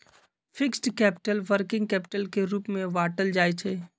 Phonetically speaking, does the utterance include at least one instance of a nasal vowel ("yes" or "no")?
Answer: yes